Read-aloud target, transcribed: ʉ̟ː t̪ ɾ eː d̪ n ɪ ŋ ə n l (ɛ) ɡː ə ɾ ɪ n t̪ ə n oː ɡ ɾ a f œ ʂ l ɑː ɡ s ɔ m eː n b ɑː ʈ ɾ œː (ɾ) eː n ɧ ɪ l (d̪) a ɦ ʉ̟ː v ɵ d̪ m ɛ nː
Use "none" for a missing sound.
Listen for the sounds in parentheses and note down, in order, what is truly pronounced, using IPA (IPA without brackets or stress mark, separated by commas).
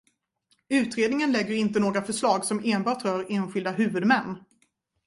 ɛ, ɾ, d̪